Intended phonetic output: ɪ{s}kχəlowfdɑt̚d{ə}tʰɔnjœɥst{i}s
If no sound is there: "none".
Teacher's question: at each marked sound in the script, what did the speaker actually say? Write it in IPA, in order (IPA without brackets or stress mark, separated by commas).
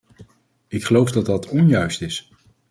none, ɑ, ɪ